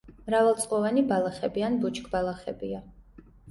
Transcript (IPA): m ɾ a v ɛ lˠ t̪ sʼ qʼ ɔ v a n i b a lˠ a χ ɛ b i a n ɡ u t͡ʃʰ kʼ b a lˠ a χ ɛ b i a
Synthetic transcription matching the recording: m ɾ a v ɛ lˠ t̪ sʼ qʼ ɔ v a n i b a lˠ a χ ɛ b i a n b u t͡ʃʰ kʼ b a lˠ a χ ɛ b i a